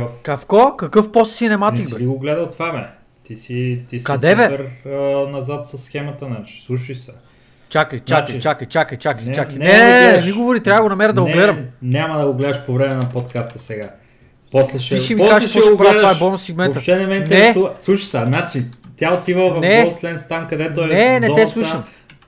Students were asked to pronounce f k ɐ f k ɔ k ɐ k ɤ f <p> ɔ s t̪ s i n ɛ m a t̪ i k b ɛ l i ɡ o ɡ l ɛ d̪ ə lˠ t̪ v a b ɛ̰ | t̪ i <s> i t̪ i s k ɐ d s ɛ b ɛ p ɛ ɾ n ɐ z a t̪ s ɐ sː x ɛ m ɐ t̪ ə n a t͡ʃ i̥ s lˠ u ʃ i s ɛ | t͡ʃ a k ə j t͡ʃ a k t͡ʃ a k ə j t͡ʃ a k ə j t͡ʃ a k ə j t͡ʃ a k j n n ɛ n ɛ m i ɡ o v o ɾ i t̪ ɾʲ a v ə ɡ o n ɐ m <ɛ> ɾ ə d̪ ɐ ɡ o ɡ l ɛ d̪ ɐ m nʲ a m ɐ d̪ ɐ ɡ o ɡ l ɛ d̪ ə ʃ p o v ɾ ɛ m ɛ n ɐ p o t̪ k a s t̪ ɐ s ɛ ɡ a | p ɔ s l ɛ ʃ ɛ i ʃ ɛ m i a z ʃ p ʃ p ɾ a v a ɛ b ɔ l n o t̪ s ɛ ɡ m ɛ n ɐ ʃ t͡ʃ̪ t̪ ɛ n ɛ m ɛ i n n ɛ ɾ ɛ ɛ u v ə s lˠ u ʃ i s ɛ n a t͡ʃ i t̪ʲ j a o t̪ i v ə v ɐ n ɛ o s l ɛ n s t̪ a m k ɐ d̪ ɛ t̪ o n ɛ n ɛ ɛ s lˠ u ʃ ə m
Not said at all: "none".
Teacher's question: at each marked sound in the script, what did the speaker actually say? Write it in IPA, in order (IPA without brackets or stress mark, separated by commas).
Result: p, s, ɛ